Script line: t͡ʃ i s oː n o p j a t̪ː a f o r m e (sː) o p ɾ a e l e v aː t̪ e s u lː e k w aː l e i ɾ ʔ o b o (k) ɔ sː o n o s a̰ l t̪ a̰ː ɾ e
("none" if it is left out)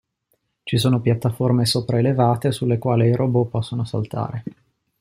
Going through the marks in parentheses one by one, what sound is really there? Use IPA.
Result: s, p

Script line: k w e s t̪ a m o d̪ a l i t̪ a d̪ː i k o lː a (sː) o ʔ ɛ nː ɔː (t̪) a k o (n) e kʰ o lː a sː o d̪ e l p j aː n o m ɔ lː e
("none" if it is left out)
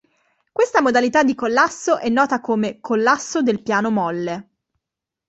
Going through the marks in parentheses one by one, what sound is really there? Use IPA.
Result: sː, t̪, m

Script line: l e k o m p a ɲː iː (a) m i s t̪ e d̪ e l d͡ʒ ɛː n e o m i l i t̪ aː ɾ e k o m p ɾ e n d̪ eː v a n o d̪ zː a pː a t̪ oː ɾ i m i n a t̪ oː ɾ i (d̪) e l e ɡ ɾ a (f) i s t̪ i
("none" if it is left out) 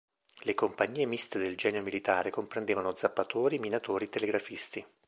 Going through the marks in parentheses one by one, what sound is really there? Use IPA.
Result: e, t̪, f

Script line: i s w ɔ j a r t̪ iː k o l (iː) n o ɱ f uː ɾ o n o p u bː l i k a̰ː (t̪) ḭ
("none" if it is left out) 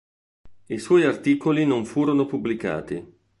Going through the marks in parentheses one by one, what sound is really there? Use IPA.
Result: i, t̪

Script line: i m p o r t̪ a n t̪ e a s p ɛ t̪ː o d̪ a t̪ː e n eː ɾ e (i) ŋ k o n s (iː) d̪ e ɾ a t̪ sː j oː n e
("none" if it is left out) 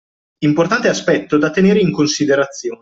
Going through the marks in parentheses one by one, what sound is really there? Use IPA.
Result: i, i

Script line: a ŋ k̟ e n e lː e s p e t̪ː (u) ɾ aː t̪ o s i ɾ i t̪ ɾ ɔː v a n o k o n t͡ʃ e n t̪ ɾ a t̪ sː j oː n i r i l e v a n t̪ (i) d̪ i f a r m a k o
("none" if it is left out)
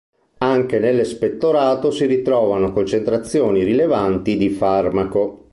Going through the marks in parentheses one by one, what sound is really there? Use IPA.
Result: o, i

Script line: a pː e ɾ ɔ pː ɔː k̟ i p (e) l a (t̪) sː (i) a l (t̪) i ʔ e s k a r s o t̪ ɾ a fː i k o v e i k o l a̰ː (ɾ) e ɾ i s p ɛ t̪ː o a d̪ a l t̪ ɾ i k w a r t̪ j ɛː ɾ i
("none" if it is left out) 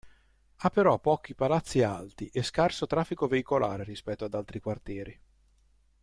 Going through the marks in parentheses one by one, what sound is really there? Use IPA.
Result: a, t̪, i, t̪, ɾ

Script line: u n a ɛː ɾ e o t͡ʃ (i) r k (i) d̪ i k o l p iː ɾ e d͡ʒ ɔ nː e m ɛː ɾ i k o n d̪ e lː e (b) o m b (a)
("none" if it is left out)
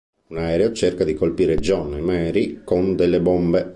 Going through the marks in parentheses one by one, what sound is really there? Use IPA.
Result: e, a, b, e

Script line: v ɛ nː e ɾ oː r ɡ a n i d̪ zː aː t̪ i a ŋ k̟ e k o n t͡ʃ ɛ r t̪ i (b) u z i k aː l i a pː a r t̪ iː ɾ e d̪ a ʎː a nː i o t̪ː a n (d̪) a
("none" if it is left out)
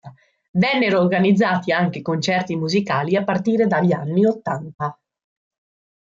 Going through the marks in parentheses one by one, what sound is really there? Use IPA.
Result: m, t̪

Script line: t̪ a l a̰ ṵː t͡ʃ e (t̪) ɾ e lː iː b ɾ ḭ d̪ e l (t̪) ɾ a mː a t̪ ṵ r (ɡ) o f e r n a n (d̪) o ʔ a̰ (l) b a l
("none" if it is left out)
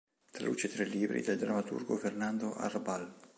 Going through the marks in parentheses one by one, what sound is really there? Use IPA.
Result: t̪, d̪, ɡ, d̪, r

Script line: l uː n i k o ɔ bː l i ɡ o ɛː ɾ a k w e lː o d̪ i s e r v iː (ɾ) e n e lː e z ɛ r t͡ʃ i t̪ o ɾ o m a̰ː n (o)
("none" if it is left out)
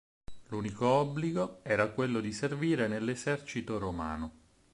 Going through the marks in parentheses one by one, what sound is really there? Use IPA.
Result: ɾ, o

